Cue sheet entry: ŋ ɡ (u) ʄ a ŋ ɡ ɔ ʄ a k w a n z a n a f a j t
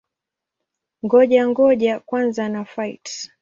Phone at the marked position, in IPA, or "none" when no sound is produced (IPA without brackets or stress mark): ɔ